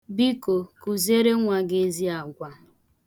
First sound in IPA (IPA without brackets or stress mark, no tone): b